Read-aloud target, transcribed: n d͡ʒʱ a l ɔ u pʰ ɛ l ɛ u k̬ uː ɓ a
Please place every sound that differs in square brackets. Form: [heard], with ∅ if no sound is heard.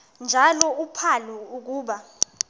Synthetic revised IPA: n d͡ʒʱ a l ɔ u pʰ [a] l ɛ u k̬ uː ɓ a